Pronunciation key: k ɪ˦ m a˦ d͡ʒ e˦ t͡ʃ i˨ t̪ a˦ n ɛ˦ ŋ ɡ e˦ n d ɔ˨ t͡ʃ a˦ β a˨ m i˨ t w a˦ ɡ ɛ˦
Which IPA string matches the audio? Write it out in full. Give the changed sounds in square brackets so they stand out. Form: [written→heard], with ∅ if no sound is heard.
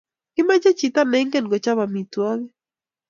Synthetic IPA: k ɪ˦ m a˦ d͡ʒ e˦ t͡ʃ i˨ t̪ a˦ n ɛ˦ ŋ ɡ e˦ n [d→ɡ] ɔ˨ t͡ʃ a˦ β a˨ m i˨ t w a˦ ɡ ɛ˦